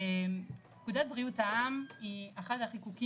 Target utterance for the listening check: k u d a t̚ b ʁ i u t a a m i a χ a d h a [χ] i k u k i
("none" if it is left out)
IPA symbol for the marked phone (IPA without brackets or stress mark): χ